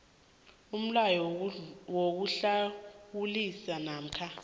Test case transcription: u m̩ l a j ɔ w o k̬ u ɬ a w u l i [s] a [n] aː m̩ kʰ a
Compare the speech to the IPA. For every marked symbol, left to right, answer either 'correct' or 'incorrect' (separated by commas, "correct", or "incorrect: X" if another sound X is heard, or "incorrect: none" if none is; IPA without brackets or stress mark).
correct, correct